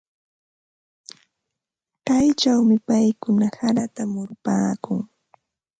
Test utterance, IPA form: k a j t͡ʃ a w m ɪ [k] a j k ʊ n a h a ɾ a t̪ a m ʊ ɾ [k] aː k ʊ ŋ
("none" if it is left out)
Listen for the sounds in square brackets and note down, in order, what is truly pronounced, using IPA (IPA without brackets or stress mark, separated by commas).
p, p